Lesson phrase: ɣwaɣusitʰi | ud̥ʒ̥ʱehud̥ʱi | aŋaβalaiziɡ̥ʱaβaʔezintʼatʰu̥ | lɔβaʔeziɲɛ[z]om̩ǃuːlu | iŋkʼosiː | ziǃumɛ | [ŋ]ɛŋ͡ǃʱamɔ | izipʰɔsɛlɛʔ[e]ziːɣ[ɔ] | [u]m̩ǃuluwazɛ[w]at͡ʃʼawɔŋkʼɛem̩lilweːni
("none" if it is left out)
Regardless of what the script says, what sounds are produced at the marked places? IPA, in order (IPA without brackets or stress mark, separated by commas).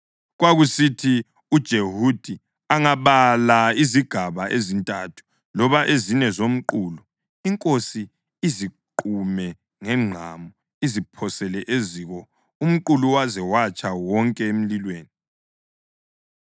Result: z, ŋ, e, ɔ, u, w